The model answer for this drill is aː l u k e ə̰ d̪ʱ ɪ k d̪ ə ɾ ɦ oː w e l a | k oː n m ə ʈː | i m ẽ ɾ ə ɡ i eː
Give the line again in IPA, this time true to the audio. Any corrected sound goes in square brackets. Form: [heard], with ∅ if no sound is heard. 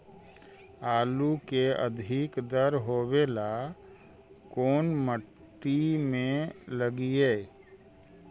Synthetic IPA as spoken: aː l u k e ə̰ d̪ʱ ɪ k d̪ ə ɾ ɦ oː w e l a | k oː n m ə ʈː | i m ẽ [l] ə ɡ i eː